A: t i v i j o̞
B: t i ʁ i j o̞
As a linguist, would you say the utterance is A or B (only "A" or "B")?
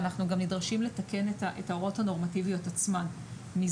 A